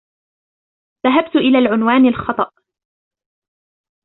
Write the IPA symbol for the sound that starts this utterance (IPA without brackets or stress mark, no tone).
ð